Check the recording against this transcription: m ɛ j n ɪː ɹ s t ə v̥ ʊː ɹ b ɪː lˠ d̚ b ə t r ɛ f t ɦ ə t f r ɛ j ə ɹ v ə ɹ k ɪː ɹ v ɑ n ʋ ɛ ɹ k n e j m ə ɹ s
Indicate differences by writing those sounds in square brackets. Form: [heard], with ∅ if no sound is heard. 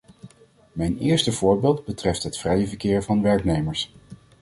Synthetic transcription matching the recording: m ɛ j n ɪː ɹ s t ə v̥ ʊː ɹ b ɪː lˠ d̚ b ə t r ɛ f t ɦ ə t f r ɛ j ə [∅] v ə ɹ k ɪː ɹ v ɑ n ʋ ɛ ɹ k n e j m ə ɹ s

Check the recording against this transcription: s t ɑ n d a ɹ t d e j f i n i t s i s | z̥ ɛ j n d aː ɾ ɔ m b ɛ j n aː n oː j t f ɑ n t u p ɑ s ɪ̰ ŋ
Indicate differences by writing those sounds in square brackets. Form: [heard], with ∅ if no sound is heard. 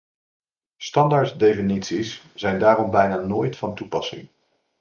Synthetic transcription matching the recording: s t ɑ n d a ɹ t d e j f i n i t s i s | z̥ ɛ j n d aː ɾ ɔ m b ɛ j n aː n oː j t f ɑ n t u p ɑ s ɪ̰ ŋ

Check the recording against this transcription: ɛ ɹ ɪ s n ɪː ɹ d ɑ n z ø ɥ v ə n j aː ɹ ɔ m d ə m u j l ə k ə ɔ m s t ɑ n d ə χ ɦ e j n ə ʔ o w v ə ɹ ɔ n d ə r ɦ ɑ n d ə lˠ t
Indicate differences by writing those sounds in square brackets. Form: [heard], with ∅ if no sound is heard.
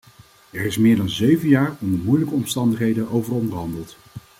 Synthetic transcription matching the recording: ɛ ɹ ɪ s [m] ɪː ɹ d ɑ n z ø ɥ v ə n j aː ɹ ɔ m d ə m u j l ə k ə ɔ m s t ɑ n d ə χ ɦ e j [d] ə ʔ o w v ə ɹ ɔ n d ə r ɦ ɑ n d ə lˠ t

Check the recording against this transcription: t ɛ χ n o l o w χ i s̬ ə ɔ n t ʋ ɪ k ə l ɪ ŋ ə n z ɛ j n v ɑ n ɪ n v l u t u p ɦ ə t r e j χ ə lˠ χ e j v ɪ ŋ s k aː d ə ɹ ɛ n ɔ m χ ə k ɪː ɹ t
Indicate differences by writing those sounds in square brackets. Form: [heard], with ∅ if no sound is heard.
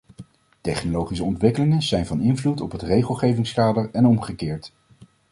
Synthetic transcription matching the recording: t ɛ χ n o l o w χ i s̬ ə ɔ n t ʋ ɪ k ə l ɪ ŋ ə n z ɛ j n v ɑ n ɪ n v l u t [ɔ] p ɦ ə t r e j χ ə lˠ χ e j v ɪ ŋ s k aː d ə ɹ ɛ n ɔ m χ ə k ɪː ɹ t

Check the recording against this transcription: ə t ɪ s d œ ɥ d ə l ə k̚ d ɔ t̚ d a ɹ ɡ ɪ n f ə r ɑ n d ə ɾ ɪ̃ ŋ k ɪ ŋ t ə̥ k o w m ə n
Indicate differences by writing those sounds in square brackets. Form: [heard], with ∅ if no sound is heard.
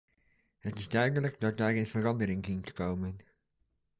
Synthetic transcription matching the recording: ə t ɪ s d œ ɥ d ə l ə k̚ d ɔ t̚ d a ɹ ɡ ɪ n f ə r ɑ n d ə ɾ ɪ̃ ŋ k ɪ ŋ t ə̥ k o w m ə n

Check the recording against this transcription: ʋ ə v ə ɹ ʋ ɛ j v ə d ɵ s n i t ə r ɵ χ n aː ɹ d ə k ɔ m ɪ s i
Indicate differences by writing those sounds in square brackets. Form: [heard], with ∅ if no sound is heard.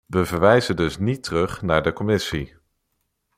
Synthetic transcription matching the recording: ʋ ə v ə ɹ ʋ ɛ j [z] ə d ɵ s n i t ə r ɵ χ n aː ɹ d ə k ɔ m ɪ s i

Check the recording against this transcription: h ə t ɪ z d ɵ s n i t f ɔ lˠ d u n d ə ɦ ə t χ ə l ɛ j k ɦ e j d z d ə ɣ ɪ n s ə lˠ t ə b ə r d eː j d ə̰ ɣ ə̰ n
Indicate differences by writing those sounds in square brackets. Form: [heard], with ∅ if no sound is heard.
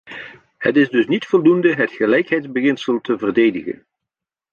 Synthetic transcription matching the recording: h ə t ɪ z d ɵ s n i t f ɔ lˠ d u n d ə ɦ ə t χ ə l ɛ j k ɦ [ɛ] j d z [b] ə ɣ ɪ n s ə lˠ t ə [v] ə r d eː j d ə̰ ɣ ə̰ n

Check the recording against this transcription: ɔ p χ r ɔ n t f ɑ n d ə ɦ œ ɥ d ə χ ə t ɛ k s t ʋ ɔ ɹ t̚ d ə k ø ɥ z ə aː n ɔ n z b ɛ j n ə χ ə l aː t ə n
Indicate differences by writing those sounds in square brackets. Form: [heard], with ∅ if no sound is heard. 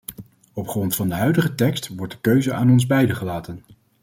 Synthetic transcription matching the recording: ɔ p χ r ɔ n t f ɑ n d ə ɦ œ ɥ d ə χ ə t ɛ k s t ʋ ɔ ɹ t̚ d ə k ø ɥ z ə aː n ɔ n z b ɛ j [d] ə χ ə l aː t ə n

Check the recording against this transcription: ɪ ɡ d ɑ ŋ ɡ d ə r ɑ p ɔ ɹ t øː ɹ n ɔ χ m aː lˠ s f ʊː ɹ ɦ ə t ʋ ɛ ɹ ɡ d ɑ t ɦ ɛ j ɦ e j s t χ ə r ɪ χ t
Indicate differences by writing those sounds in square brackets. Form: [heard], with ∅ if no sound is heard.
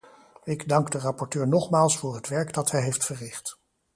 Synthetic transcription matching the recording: ɪ ɡ d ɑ ŋ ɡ d ə r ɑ p ɔ ɹ t øː ɹ n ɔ χ m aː lˠ s f ʊː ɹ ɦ ə t ʋ ɛ ɹ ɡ d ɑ t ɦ ɛ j ɦ e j [f] t [f] ə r ɪ χ t

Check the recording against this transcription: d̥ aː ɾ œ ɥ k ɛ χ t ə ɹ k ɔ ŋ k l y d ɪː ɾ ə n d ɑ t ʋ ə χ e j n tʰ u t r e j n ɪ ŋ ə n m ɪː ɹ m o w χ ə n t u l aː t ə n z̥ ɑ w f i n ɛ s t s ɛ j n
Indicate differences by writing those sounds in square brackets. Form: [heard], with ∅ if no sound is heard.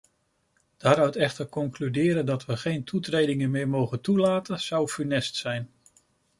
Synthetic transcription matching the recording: d̥ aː ɾ œ ɥ [t] ɛ χ t ə ɹ k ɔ ŋ k l y d ɪː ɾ ə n d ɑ t ʋ ə χ e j n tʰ u t r e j [d] ɪ ŋ ə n m ɪː ɹ m o w χ ə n t u l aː t ə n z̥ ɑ w f [y] n ɛ s t s ɛ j n

